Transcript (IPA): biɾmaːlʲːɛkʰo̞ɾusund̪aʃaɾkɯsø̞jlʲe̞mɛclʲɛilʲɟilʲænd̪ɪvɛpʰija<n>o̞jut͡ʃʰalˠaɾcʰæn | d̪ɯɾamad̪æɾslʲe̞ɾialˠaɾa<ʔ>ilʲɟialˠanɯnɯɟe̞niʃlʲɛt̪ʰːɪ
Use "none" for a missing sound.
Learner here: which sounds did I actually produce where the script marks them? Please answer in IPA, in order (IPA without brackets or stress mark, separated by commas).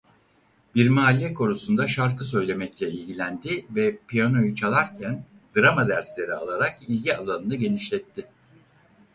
n, k